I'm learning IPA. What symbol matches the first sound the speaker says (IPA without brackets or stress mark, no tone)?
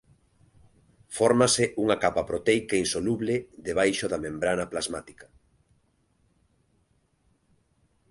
f